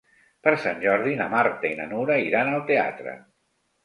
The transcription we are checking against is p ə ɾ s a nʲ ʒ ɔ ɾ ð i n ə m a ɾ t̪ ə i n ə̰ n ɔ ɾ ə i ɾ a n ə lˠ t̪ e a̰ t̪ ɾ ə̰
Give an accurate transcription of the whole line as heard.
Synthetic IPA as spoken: p ə ɾ s a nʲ ʒ ɔ ɾ ð i n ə m a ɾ t̪ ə i n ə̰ n u ɾ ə i ɾ a n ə lˠ t̪ e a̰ t̪ ɾ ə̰